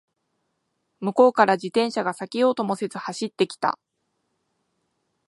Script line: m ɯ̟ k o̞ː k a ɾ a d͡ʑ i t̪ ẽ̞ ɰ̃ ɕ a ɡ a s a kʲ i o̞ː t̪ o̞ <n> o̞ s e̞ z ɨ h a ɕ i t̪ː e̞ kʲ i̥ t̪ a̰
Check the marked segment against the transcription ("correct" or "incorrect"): incorrect